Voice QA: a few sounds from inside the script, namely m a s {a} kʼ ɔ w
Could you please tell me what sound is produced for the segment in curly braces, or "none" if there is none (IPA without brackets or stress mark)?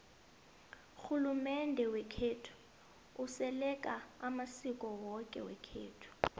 i